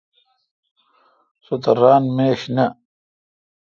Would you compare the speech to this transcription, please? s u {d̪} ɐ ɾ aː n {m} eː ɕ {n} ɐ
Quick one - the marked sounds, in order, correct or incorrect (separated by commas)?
incorrect, correct, correct